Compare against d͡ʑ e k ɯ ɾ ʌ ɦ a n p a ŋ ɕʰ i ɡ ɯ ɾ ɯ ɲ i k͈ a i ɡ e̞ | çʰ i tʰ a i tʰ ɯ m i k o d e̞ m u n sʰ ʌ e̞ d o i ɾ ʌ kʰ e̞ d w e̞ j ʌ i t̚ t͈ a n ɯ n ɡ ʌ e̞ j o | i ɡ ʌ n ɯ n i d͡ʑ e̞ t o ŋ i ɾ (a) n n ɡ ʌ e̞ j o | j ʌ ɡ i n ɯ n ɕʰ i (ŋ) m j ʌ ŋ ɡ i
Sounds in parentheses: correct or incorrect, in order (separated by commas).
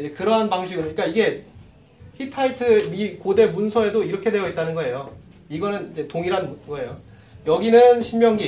correct, incorrect